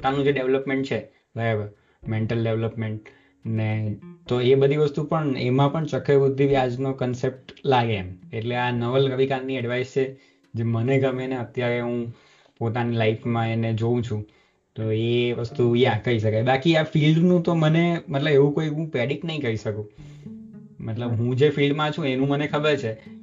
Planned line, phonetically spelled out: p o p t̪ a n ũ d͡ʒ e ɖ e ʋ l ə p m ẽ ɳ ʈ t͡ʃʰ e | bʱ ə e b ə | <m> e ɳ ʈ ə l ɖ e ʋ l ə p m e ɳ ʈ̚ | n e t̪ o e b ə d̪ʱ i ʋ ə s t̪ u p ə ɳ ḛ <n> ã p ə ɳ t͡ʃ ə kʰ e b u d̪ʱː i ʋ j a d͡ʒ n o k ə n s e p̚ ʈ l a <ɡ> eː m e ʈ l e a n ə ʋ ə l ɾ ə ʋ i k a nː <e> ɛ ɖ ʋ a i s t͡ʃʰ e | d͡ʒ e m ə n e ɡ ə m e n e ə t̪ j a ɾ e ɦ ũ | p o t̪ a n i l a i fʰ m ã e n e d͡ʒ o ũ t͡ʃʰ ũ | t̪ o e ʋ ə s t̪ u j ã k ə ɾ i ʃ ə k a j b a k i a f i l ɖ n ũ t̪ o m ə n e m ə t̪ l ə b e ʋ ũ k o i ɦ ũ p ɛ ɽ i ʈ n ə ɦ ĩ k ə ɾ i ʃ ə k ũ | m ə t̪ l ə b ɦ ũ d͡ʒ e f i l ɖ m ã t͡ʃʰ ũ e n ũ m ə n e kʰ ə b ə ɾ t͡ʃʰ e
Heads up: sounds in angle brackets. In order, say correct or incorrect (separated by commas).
correct, incorrect, correct, incorrect